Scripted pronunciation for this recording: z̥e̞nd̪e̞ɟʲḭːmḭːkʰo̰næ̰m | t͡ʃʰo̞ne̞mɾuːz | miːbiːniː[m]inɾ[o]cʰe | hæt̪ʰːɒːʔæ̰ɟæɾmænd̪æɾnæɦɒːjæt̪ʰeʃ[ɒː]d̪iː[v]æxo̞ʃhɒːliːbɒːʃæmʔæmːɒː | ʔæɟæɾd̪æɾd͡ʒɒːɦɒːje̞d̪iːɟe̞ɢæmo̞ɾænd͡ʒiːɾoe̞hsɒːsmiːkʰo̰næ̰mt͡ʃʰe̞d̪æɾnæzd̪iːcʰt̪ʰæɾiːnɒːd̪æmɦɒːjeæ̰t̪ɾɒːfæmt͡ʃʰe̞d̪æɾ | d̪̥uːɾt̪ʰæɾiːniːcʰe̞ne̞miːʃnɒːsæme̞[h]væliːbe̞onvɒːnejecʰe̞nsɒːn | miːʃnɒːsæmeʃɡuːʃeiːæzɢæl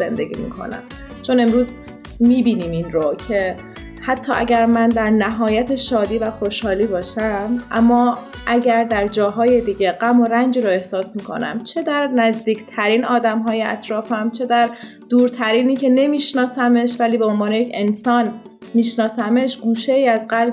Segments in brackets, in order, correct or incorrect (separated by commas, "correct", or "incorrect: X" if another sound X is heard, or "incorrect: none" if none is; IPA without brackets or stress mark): correct, correct, correct, correct, incorrect: ʃ